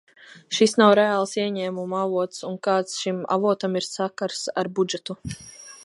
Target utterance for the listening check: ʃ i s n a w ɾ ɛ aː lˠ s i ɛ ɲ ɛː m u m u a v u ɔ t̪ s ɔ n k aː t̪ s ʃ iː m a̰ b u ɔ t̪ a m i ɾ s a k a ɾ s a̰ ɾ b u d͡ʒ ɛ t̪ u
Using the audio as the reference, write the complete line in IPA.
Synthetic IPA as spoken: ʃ i s n a w ɾ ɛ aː lˠ s i ɛ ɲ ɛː m u m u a v u ɔ t̪ s u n k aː t̪ s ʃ i m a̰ v u ɔ t̪ a m i ɾ s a k a ɾ s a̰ ɾ b u d͡ʒ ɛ t̪ u